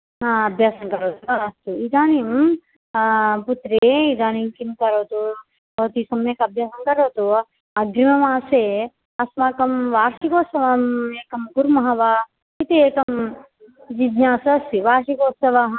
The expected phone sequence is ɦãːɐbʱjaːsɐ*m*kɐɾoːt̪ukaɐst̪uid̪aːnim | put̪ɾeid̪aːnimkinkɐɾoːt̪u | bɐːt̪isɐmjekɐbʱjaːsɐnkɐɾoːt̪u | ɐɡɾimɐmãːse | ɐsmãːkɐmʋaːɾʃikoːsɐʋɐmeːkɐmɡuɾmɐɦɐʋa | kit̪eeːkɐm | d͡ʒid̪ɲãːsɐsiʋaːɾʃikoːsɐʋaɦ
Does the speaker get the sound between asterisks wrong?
yes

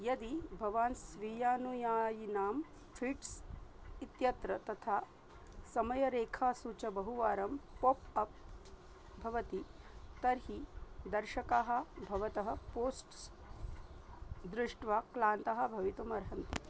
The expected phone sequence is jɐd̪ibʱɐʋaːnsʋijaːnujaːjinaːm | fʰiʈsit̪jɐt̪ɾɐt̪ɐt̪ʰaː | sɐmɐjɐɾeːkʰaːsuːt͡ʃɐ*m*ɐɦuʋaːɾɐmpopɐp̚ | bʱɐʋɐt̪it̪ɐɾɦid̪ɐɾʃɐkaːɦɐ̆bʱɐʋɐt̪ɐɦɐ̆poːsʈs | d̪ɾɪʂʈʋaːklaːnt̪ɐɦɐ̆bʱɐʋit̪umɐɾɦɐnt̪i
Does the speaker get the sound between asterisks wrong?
yes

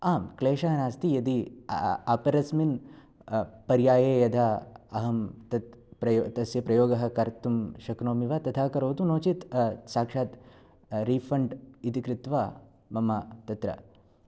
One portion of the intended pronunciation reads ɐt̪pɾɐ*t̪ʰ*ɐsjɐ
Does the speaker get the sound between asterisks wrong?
yes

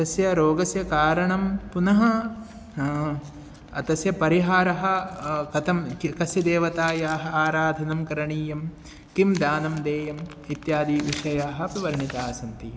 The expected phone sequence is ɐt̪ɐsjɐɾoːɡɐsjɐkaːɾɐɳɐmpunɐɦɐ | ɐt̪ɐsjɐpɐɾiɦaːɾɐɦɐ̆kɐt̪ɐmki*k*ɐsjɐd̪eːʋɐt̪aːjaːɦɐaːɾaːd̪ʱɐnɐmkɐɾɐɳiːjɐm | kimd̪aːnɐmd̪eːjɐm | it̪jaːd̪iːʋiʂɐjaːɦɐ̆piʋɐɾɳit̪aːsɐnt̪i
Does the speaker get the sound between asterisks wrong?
no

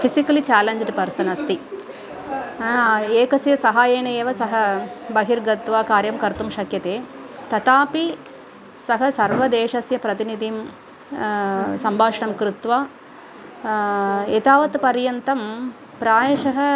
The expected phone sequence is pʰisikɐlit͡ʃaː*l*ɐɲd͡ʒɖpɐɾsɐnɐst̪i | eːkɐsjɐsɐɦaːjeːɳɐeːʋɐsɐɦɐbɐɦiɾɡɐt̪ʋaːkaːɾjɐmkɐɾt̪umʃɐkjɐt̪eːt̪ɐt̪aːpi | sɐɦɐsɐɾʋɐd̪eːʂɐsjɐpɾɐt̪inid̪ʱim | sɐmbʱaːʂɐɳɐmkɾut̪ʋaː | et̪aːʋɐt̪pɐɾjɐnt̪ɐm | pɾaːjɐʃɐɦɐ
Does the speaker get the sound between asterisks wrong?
no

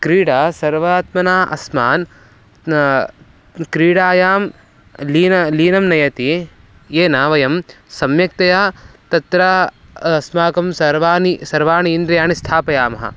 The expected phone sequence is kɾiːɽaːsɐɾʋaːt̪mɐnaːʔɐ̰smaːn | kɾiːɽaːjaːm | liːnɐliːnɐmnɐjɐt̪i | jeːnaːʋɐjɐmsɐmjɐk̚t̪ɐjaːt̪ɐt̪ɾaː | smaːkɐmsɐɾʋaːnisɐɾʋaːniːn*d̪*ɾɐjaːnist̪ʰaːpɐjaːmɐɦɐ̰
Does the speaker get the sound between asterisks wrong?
no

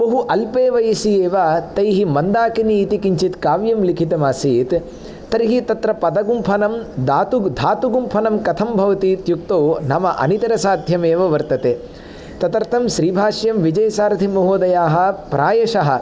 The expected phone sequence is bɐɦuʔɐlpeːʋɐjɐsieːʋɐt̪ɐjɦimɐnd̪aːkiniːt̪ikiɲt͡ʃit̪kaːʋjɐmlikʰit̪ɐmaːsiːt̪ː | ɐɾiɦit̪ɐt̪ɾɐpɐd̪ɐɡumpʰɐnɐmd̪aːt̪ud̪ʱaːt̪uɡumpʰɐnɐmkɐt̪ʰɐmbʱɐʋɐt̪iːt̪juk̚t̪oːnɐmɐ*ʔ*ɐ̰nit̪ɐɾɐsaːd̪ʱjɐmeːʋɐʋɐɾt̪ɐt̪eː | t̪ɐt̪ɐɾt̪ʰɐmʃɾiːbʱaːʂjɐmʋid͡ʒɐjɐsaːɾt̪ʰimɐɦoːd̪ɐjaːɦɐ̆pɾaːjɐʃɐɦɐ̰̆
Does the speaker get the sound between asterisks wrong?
no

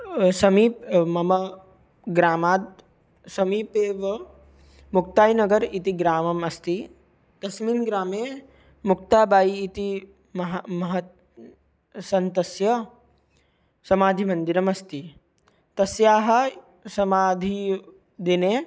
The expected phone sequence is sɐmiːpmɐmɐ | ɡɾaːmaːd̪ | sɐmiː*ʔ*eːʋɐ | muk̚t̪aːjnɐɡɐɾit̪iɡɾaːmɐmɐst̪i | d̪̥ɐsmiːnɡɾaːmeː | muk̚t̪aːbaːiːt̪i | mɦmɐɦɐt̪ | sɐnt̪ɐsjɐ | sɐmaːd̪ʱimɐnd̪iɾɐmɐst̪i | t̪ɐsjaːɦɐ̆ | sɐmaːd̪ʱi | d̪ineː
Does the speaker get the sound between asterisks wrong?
yes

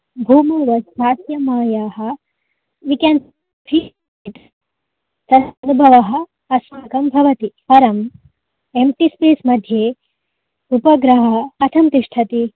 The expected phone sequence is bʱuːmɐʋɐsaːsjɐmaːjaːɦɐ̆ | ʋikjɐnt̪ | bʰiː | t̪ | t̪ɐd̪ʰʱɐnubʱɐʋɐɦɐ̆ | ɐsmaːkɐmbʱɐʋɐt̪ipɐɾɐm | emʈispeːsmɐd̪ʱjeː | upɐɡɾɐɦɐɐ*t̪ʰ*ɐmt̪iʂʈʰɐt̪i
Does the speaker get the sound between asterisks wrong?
no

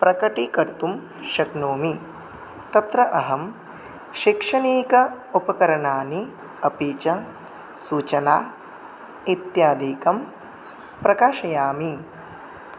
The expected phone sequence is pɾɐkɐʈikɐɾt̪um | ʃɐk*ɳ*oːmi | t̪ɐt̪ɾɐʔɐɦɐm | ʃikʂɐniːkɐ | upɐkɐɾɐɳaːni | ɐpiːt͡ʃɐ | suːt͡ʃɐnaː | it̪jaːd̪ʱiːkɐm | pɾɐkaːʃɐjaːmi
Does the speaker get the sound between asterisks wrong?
yes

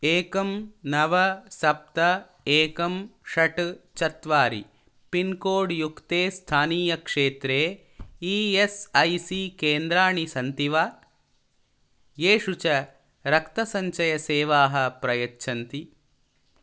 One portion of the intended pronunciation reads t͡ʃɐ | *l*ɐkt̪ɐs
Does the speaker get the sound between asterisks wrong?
yes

